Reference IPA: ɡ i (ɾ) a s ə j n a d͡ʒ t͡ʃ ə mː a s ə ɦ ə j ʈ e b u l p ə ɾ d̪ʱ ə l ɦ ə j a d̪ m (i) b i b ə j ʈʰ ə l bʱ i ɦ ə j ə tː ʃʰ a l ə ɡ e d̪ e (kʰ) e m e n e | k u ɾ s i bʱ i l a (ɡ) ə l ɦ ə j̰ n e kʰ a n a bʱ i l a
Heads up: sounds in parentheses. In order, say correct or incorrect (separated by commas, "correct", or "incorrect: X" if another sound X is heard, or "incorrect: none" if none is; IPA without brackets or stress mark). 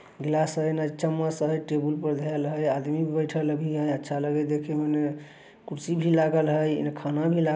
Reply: incorrect: l, correct, correct, correct